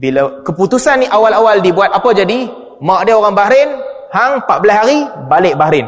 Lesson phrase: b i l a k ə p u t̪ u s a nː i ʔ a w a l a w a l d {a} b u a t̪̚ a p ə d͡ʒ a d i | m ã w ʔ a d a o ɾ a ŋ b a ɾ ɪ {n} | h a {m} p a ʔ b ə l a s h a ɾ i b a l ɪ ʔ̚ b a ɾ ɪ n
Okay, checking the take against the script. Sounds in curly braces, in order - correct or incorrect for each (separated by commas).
incorrect, correct, incorrect